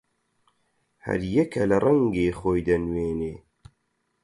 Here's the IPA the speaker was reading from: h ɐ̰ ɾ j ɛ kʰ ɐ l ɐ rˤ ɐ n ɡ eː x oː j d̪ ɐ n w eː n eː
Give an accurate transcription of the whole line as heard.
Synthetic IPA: h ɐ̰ ɾ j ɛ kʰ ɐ l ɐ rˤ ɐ ŋ ɡ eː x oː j d̪ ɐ n w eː n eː